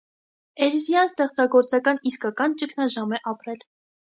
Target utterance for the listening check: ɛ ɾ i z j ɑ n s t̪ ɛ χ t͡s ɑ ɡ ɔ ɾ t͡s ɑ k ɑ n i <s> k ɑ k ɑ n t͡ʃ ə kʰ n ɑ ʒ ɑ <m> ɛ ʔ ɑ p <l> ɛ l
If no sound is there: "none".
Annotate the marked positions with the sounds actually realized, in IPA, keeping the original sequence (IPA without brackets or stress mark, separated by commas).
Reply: s, m, ɾ